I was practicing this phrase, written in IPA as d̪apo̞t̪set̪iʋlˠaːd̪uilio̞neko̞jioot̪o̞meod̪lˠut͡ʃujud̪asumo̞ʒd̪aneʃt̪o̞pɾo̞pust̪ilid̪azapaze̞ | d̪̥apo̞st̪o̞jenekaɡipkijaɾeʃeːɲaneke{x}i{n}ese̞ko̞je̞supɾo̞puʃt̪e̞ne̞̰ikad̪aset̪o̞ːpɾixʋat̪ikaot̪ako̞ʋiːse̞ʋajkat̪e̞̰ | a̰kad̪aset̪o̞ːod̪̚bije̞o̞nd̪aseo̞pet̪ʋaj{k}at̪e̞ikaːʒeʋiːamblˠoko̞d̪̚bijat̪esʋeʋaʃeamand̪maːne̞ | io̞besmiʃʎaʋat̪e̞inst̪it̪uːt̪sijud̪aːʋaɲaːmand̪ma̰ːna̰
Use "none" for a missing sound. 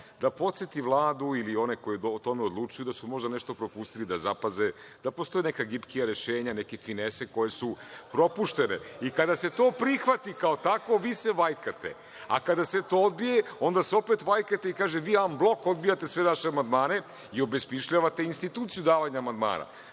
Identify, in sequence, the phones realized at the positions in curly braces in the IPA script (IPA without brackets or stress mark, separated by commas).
f, n, k